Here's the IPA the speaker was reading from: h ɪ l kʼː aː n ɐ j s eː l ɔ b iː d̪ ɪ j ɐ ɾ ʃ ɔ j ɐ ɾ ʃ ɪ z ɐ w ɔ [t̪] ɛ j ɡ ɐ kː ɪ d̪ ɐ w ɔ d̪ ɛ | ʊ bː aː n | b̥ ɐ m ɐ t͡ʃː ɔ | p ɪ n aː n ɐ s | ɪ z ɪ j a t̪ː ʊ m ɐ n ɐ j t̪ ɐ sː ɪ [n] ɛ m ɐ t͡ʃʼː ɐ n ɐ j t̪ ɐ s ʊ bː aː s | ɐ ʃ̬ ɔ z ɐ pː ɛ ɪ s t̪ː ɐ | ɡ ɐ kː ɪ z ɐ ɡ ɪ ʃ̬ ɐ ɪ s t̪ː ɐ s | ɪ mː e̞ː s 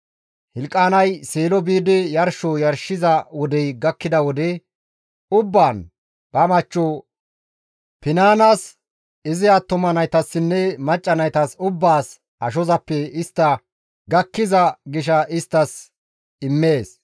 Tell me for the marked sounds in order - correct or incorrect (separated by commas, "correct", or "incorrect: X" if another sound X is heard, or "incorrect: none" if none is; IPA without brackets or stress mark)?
incorrect: d̪, incorrect: nː